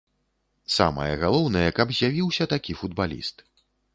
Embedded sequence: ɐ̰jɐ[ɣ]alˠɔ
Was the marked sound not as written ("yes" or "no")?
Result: no